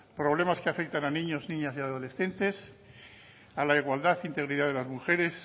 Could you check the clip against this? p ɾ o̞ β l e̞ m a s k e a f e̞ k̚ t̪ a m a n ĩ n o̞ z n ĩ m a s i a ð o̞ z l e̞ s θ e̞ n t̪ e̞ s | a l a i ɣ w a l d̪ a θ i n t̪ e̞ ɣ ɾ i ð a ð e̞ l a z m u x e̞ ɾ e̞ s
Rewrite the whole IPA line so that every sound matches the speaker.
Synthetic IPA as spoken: p ɾ o̞ β l e̞ m a s k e a f e̞ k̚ t̪ a n a n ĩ ɲ o̞ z n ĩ ɲ a s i a ð o̞ l e̞ s θ e̞ n t̪ e̞ s | a l a i ɣ w a l d̪ a θ i n t̪ e̞ ɣ ɾ i ð a ð e̞ l a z m u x e̞ ɾ e̞ s